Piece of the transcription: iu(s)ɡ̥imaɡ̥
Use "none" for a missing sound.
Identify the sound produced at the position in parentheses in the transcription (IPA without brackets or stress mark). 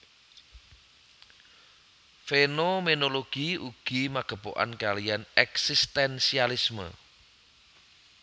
none